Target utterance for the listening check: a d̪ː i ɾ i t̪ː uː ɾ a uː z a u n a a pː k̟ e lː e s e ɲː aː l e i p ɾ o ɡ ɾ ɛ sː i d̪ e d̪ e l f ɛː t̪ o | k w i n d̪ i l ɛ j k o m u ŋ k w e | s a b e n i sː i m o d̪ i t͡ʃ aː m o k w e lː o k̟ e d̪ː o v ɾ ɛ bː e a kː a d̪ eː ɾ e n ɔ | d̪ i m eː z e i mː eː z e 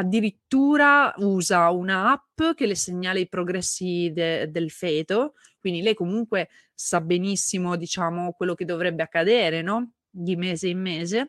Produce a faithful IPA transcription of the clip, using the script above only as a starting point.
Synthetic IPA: a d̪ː i ɾ i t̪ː uː ɾ a uː z a u n a a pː k̟ e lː e s e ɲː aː l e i p ɾ o ɡ ɾ ɛ sː i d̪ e d̪ e l f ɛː t̪ o | k w i n d̪ i l ɛ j k o m u ŋ k w e | s a b e n i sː i m o d̪ i t͡ʃ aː m o k w e lː o k̟ e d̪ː o v ɾ ɛ bː e a kː a d̪ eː ɾ e n ɔ | d̪ i m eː z e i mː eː z e